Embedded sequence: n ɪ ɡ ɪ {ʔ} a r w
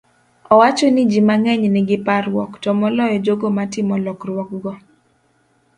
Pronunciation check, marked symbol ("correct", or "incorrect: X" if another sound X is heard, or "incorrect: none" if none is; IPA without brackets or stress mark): incorrect: p